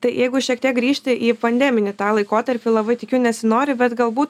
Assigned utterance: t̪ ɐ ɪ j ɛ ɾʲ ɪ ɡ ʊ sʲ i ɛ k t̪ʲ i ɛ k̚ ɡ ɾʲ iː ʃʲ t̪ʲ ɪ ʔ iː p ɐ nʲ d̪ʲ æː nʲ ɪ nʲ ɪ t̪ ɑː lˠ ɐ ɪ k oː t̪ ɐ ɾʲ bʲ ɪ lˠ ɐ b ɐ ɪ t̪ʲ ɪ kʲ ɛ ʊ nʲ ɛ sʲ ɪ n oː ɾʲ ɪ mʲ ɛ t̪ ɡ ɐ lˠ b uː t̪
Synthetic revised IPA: t̪ ɐ ɪ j ɛ ɪ ɡ ʊ ʃʲ i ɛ k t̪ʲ i ɛ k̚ ɡ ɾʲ iː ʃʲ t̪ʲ ɪ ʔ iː p ɐ nʲ d̪ʲ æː mʲ ɪ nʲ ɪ t̪ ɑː lˠ ɐ ɪ k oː t̪ ɐ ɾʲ pʲ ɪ lˠ ɐ b ɐ ɪ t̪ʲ ɪ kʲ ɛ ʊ nʲ ɛ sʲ ɪ n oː ɾʲ ɪ bʲ ɛ t̪ ɡ ɐ lˠ b uː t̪